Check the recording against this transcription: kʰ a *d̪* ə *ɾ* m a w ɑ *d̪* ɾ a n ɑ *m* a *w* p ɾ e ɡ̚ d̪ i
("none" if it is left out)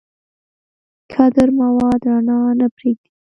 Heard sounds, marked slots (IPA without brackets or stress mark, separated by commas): d̪, ɾ, d̪, n, none